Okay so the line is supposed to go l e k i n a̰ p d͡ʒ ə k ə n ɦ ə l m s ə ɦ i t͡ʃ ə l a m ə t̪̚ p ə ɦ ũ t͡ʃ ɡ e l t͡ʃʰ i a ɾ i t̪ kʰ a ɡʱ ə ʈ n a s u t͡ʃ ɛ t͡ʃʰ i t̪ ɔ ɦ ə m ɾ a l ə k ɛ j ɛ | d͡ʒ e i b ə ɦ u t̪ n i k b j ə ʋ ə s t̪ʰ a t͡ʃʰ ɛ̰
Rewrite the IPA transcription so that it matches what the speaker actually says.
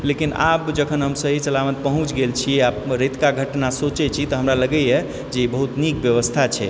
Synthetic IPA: l e k i n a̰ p d͡ʒ ə kʰ ə n ɦ ə m s ə ɦ i t͡ʃ ə l a m ə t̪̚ p ə ɦ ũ t͡ʃ ɡ e l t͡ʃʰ i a ɾ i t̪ k a ɡʱ ə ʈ n a s o t͡ʃ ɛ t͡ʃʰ i t̪ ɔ ɦ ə m ɾ a l ə ɡ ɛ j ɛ | d͡ʒ e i b ə ɦ u t̪ n i k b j ə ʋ ə s t̪ʰ a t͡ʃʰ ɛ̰